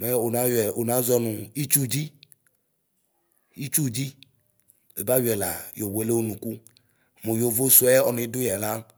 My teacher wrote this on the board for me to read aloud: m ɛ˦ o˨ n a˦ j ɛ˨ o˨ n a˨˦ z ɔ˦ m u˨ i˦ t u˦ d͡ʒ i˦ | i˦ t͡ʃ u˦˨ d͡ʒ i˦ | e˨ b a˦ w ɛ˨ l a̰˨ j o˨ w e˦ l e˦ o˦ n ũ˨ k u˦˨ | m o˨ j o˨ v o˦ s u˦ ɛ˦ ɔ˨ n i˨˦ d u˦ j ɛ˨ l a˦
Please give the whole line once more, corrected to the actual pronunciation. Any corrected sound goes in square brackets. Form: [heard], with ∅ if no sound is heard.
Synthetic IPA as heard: m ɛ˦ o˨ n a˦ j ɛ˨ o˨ n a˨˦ z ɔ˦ [n] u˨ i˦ [t͡ʃ] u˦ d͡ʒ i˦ | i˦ t͡ʃ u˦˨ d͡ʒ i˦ | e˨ b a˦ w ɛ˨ l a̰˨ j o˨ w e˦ l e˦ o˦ n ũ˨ k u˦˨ | m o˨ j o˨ v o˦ s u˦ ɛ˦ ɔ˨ n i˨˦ d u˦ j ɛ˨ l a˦